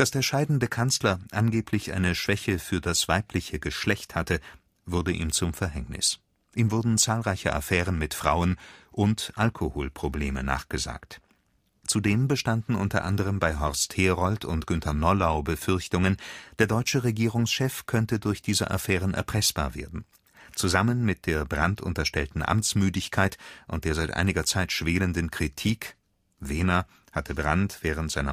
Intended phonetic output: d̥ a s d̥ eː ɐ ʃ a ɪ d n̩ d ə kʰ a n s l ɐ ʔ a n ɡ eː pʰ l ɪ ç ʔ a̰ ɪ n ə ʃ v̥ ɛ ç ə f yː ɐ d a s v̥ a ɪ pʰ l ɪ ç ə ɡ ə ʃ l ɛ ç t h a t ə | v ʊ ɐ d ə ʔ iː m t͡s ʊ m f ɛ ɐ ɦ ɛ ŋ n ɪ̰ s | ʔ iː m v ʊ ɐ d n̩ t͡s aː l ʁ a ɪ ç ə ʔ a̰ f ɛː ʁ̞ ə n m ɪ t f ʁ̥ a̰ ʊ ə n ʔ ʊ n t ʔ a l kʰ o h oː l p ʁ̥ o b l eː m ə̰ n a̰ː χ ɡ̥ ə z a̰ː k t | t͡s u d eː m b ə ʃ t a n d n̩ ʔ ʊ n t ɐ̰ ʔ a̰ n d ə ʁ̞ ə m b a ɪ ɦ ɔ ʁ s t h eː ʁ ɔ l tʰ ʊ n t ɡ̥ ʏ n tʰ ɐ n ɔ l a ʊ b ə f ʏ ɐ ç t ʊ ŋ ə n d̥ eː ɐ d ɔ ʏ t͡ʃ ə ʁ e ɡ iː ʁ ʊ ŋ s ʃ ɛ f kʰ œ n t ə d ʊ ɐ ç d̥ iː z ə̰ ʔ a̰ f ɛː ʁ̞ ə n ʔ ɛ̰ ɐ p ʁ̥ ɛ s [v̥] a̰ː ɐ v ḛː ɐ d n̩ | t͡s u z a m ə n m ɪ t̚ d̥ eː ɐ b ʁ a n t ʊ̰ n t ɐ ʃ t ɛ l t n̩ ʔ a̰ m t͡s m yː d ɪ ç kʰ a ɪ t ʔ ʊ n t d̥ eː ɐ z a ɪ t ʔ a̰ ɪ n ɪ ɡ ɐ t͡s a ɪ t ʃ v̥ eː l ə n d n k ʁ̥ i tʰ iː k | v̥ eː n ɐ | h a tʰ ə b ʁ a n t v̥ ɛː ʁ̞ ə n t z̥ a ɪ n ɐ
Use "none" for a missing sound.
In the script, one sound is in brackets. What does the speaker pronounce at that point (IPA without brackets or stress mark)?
b̥